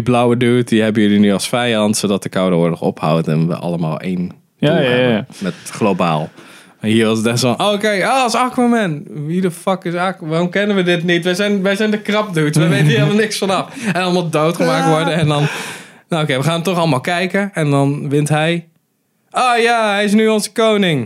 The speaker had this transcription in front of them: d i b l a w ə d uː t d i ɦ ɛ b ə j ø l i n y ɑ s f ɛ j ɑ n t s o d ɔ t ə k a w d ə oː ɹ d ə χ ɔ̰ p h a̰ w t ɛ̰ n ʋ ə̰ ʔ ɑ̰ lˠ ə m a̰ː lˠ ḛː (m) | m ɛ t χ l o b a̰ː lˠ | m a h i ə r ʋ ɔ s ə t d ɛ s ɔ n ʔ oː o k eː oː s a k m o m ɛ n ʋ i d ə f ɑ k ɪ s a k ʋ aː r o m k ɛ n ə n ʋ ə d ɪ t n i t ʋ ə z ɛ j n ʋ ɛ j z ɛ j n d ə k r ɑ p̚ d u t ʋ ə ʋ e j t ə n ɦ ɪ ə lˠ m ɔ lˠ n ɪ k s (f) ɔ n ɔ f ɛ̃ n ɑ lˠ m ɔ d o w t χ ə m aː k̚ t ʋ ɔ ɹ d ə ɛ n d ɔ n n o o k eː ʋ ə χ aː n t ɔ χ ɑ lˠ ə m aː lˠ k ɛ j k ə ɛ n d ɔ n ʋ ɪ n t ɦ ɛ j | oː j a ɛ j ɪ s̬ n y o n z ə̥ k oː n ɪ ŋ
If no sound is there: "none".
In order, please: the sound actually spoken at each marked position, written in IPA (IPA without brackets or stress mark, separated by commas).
n, f